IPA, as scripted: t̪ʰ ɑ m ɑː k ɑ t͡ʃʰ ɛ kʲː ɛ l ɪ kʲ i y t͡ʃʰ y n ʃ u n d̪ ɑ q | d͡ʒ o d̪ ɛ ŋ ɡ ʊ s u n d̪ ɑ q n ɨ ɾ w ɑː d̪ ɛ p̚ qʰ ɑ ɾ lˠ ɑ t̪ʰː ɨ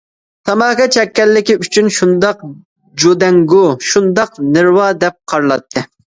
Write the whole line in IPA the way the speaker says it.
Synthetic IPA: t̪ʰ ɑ m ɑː k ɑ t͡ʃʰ ɛ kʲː ɛ lː ɪ kʲ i y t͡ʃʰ y n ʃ u n d̪ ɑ q | d͡ʒ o d̪ ɛ ŋ ɡ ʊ ʃ u n d̪ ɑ q n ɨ ɾ w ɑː d̪ ɛ p̚ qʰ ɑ ɾ lˠ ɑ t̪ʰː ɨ